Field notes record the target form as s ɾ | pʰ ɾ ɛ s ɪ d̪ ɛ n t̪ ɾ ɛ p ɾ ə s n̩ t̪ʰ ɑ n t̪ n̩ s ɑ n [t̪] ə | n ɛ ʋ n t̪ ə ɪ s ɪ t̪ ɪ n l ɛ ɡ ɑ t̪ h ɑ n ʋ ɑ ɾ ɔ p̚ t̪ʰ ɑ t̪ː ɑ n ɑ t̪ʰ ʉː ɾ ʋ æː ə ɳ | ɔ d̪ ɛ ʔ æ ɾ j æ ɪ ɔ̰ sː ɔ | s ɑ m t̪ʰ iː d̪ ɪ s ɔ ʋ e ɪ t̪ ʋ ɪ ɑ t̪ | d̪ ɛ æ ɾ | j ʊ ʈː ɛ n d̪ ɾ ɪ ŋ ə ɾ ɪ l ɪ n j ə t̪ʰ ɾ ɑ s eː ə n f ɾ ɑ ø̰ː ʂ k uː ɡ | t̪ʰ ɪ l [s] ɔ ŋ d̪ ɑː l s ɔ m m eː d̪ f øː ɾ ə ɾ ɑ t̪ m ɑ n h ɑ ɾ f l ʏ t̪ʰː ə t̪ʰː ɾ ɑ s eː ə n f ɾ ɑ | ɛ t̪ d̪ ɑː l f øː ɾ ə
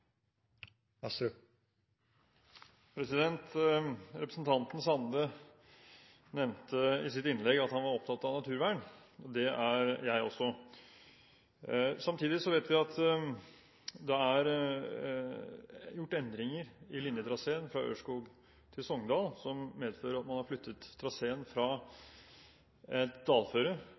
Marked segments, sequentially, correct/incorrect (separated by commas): incorrect, correct